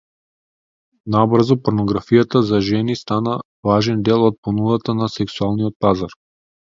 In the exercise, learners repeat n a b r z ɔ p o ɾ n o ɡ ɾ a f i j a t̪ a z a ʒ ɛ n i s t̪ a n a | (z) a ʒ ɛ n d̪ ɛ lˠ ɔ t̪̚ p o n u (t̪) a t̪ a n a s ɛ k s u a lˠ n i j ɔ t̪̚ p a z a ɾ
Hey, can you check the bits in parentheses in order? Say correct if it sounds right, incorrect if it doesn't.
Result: incorrect: v, incorrect: d̪

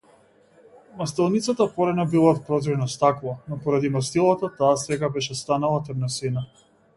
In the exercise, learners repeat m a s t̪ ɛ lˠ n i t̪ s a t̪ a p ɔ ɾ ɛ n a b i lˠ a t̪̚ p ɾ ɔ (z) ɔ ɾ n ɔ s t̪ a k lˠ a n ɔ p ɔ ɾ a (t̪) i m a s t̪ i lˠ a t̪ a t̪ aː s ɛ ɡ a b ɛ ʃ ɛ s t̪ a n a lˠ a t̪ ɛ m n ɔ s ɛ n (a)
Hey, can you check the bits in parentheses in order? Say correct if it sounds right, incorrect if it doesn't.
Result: correct, incorrect: d̪, correct

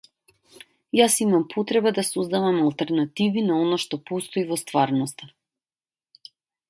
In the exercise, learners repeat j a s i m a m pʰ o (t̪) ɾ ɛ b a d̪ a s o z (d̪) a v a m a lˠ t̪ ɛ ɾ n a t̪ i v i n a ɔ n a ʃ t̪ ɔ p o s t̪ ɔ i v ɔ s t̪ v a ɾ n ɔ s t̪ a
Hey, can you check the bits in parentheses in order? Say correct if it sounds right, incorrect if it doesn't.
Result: correct, correct

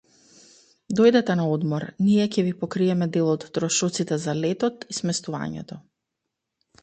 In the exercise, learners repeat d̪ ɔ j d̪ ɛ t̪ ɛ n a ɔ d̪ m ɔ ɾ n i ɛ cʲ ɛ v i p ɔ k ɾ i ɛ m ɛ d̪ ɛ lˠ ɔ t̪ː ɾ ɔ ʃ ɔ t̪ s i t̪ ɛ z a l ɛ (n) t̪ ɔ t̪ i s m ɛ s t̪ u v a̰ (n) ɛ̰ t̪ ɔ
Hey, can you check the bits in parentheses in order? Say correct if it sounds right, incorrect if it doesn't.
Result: incorrect: none, incorrect: ɲ

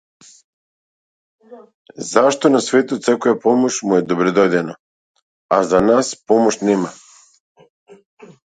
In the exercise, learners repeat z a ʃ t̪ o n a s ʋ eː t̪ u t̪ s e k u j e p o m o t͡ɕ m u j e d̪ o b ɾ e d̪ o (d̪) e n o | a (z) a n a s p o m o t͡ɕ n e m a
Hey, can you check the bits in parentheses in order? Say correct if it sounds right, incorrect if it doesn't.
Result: correct, correct

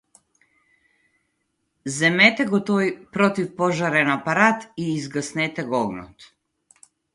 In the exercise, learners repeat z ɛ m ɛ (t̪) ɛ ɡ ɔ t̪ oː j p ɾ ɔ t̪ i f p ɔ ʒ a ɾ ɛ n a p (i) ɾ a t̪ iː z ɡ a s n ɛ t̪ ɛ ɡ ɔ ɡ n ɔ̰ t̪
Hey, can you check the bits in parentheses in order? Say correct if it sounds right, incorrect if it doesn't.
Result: correct, incorrect: a

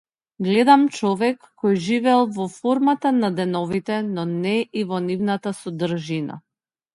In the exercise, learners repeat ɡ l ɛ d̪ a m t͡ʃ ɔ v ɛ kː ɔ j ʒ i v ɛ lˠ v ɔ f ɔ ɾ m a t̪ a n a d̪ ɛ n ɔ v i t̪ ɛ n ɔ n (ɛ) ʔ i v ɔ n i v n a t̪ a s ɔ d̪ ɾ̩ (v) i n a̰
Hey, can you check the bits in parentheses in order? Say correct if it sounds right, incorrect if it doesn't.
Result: correct, incorrect: ʒ

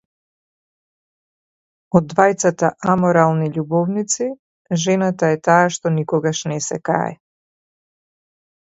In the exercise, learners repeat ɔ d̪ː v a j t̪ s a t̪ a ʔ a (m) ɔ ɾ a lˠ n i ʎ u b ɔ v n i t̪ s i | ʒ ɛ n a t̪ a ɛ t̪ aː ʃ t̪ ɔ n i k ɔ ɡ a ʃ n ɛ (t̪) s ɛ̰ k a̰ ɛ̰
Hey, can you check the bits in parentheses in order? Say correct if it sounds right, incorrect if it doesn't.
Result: correct, incorrect: none

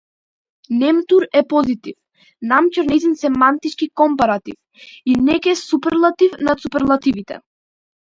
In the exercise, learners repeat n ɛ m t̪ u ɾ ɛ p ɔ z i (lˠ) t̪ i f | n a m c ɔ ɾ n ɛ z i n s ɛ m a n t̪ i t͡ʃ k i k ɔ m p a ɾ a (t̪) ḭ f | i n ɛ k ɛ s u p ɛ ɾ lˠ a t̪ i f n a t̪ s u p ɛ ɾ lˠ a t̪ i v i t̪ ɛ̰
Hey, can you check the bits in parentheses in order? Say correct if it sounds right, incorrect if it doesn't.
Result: incorrect: none, correct

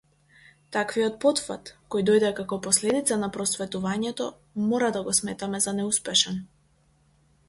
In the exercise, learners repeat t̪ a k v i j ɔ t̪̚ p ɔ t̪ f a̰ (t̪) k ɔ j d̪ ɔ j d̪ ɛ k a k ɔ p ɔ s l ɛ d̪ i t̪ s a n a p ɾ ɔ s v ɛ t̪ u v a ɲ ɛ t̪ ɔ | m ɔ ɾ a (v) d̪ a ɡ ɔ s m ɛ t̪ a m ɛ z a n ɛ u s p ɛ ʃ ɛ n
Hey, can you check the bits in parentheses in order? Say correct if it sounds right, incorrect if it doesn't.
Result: correct, incorrect: none

